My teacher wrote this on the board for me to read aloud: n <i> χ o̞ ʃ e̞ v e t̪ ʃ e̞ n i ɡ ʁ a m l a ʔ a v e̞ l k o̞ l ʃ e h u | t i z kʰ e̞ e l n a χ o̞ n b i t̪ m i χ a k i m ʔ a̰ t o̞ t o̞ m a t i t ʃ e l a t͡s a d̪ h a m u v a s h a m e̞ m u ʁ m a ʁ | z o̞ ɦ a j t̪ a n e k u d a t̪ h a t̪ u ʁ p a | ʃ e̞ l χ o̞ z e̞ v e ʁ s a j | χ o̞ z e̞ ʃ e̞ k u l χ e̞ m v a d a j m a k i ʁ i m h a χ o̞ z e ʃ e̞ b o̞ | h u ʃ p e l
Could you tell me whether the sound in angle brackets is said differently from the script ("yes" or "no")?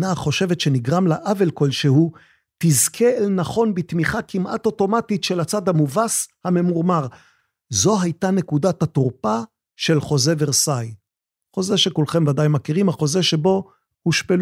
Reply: yes